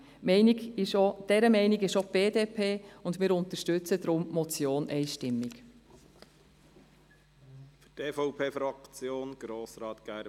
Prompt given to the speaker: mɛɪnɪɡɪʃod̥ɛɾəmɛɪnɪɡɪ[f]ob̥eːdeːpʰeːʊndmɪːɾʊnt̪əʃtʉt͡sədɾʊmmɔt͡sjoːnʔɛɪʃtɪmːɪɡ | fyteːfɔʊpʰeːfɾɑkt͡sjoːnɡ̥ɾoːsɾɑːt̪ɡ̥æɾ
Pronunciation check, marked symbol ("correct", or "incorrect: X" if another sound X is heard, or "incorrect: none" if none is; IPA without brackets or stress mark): incorrect: ʃ